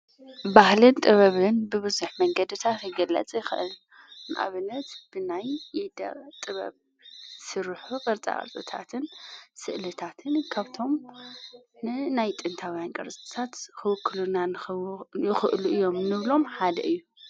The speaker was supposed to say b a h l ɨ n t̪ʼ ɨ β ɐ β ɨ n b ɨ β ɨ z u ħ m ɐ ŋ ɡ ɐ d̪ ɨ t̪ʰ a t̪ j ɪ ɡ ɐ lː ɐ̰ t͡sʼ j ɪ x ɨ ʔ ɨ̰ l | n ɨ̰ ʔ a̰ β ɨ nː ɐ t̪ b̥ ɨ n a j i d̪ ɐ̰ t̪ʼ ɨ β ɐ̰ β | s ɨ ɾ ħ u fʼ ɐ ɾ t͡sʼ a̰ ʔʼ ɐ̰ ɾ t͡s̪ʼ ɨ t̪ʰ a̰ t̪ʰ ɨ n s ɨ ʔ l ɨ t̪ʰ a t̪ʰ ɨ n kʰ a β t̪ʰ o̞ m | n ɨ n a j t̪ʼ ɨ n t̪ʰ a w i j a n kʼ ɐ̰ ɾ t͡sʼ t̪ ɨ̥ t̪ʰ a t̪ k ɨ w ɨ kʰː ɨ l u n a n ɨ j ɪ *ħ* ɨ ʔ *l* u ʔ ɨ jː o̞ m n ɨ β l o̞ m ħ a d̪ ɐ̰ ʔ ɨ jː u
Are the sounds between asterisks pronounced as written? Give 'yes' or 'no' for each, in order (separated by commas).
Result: no, yes